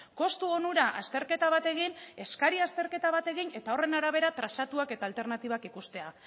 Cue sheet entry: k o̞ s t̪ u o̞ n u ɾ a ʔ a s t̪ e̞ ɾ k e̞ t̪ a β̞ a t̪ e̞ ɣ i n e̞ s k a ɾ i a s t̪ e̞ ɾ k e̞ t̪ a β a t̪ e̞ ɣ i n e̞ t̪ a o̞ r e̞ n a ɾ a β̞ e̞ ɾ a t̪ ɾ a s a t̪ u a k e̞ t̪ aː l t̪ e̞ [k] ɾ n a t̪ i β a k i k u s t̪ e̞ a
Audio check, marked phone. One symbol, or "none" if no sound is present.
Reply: none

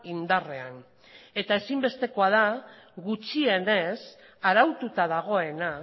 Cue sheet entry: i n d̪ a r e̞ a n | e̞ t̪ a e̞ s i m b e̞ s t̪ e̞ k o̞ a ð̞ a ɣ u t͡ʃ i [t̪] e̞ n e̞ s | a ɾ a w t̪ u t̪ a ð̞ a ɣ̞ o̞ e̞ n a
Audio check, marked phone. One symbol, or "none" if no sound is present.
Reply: none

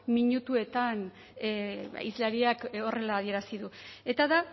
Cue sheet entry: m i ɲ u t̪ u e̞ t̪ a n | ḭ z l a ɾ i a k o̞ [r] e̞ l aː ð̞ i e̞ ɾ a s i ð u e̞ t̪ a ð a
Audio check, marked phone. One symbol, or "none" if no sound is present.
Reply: r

